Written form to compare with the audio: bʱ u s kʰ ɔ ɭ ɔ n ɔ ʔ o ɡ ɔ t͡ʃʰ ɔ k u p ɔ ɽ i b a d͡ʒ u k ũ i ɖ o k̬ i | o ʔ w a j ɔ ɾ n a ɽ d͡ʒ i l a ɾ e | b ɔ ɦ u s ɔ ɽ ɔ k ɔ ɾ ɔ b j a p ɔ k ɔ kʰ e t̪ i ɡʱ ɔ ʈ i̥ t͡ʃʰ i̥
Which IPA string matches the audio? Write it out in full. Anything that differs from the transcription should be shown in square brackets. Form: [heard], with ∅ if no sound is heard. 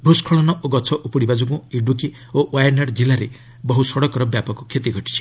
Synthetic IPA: bʱ u s kʰ ɔ ɭ ɔ n ɔ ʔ o ɡ ɔ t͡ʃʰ ɔ [ʔ] u p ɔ ɽ i b a d͡ʒ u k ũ i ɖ [u] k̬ i | o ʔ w a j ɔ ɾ n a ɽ d͡ʒ i l a ɾ e | b ɔ ɦ u s ɔ ɽ ɔ k ɔ ɾ ɔ b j a p ɔ k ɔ kʰ e t̪ i ɡʱ ɔ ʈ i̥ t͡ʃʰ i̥